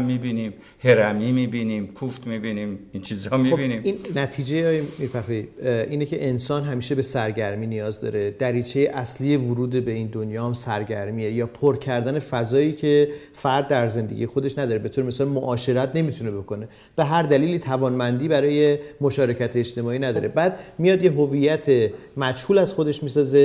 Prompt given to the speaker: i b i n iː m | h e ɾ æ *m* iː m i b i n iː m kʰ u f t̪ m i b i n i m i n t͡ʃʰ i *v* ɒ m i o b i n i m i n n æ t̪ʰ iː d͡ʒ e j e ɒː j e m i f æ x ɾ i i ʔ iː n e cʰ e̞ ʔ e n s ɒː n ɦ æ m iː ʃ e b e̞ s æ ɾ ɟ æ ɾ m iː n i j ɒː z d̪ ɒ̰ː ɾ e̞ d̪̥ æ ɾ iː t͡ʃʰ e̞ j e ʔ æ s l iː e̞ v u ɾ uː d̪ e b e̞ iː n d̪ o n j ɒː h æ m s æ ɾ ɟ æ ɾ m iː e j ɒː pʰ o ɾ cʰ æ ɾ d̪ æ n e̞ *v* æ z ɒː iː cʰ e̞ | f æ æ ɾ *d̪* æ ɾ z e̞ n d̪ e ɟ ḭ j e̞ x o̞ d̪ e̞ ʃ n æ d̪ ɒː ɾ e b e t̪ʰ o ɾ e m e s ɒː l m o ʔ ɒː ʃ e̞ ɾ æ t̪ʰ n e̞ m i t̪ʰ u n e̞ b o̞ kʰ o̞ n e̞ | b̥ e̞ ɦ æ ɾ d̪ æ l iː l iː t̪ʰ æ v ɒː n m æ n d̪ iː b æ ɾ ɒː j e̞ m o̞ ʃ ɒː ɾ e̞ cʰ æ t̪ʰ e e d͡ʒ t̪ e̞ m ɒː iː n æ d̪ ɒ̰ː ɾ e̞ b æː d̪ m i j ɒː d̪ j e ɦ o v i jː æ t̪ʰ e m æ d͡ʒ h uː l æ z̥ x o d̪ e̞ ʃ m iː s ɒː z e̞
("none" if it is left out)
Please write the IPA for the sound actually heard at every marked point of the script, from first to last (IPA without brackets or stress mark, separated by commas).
m, z, f, d̪ː